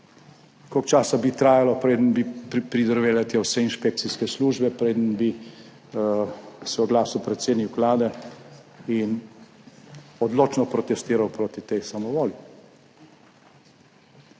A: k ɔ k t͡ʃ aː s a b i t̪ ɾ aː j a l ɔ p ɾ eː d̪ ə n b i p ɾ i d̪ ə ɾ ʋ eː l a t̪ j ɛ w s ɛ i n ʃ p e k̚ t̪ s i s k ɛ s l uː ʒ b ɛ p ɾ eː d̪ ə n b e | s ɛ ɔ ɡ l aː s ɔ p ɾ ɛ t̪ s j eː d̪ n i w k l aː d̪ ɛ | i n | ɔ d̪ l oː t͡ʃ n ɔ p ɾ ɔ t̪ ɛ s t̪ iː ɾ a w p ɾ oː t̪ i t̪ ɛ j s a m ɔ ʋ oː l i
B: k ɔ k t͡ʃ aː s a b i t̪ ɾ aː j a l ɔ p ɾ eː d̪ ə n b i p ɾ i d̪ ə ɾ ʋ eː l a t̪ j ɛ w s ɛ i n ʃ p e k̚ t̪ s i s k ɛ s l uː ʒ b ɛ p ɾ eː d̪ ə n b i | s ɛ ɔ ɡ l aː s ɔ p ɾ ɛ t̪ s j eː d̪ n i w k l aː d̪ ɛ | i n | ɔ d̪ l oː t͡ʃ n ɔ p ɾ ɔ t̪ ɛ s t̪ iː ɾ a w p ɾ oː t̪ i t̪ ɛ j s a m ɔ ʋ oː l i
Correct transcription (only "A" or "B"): B